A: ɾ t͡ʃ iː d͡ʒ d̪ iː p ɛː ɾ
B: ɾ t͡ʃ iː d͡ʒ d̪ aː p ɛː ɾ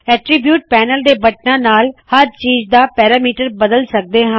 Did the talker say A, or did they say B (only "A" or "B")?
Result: B